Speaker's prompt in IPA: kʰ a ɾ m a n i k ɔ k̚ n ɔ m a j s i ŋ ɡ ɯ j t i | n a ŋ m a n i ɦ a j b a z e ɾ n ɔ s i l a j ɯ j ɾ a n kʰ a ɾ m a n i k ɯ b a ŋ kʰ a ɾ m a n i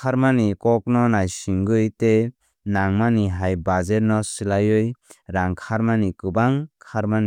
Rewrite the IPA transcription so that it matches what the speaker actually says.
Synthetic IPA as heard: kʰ a ɾ m a n i k ɔ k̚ n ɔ n a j s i ŋ ɡ ɯ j t e | n a ŋ m a n i ɦ a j b a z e ɾ n ɔ s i l a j ɯ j ɾ a ŋ kʰ a ɾ m a n i k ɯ b a ŋ kʰ a ɾ m a n i

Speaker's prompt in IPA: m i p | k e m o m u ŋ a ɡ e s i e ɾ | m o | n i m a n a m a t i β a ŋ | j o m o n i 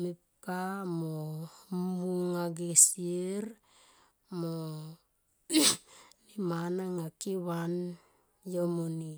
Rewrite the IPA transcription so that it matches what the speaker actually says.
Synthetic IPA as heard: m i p | k a m o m u ŋ a ɡ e s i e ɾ | m o | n i m a n a ŋ a k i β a n | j o m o n i

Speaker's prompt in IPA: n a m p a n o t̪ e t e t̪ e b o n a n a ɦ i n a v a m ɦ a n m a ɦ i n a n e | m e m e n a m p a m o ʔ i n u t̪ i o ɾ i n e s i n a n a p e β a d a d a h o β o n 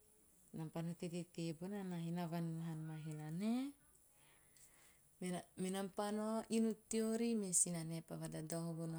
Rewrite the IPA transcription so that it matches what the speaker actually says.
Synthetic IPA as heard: n a m p a n o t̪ e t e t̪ e b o n a n a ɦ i n a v a n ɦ a n m a ɦ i n a n e | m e m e n a m p a n o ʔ i n u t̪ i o ɾ i m e s i n a n e p a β a d a d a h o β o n

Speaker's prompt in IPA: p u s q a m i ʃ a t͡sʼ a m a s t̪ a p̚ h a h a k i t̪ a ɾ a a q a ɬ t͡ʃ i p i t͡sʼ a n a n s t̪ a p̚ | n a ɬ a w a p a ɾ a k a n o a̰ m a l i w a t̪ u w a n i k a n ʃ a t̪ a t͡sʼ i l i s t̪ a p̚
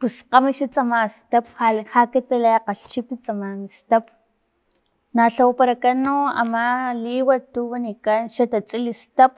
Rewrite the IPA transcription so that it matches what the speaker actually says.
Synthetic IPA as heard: p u s q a m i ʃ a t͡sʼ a m a s t̪ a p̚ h a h a k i t̪ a l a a q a ɬ t͡ʃ i p i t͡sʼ a m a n s t̪ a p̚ | n a ɬ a w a p a ɾ a k a n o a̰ m a l i w a t̪ u w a n i k a n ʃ a t̪ a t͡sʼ i l i s t̪ a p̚

